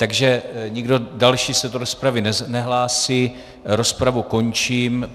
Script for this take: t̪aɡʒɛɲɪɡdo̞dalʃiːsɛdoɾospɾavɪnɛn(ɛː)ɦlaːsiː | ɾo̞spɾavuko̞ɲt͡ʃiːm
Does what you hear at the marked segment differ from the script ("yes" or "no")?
yes